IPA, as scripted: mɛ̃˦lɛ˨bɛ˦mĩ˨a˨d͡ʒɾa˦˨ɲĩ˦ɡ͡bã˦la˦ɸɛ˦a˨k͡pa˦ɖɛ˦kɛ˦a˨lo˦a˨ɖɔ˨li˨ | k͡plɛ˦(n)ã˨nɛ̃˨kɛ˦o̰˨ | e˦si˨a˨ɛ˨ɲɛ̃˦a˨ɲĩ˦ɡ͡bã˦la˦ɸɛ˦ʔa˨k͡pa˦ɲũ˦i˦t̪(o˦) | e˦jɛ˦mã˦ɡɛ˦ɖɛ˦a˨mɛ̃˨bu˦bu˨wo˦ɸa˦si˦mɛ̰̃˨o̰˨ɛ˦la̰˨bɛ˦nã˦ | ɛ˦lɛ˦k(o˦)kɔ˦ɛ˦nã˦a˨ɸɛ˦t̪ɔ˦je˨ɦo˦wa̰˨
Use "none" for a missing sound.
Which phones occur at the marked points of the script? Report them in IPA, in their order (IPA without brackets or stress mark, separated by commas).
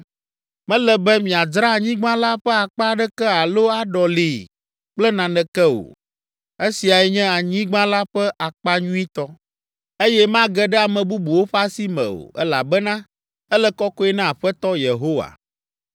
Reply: n, ɔ˦, ɔ˦